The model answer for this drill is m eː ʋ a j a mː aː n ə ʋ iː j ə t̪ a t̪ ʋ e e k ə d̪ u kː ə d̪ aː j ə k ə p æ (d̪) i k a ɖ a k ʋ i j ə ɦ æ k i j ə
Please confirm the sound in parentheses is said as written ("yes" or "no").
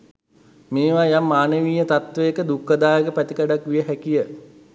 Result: no